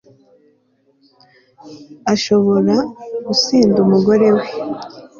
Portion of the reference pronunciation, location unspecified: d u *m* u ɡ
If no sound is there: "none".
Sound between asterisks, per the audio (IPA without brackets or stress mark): m